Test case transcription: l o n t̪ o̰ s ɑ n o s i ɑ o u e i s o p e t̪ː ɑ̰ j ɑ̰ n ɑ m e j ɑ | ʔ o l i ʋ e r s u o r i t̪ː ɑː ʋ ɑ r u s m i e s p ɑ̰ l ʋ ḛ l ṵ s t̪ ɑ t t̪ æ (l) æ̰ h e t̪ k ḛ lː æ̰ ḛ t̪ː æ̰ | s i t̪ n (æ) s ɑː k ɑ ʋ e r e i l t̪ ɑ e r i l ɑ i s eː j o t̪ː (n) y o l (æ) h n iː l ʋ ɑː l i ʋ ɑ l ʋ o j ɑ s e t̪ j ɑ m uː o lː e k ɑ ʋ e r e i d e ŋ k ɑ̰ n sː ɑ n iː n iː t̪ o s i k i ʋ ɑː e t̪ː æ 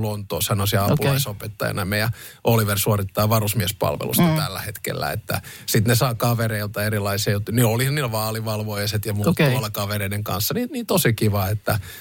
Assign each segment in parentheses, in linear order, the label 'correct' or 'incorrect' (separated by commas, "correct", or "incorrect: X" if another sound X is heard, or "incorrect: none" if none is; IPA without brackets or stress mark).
incorrect: lː, incorrect: e, correct, incorrect: i